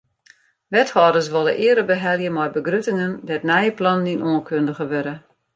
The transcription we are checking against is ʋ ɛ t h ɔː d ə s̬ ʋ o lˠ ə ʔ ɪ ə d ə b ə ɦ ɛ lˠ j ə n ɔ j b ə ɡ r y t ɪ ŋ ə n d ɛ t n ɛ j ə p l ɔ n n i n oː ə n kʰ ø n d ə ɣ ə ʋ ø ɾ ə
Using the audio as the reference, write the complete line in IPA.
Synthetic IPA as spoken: ʋ ɛ t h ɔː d ə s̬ ʋ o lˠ ə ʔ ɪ ə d ə b ə ɦ ɛ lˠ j ə m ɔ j b ə ɡ r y t ɪ ŋ ə n d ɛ t n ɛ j ə p l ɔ n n i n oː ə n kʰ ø n d ə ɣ ə ʋ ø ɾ ə